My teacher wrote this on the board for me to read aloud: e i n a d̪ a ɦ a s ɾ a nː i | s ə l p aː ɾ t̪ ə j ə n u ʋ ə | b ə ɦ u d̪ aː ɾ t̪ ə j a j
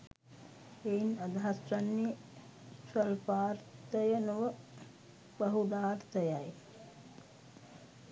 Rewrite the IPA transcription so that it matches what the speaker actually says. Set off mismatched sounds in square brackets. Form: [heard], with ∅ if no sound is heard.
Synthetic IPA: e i n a d̪ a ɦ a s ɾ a nː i | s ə l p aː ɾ t̪ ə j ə n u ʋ ə | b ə ɦ u d̪ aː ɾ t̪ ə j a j